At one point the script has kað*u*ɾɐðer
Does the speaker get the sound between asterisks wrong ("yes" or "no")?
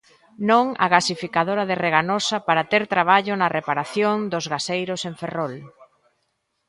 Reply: yes